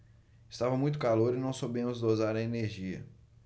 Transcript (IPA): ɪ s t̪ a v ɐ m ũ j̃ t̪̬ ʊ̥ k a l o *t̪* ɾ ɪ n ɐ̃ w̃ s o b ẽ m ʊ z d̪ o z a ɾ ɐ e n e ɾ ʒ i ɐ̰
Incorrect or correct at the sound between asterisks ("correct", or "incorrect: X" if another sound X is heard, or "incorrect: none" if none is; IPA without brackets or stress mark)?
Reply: incorrect: none